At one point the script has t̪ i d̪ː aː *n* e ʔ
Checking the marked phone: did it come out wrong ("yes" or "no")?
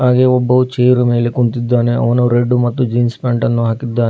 no